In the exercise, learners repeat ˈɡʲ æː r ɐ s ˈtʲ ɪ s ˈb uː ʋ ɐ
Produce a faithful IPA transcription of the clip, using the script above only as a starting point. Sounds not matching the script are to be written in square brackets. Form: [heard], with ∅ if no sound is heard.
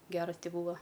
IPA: ˈɡʲ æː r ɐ s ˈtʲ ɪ [∅] ˈb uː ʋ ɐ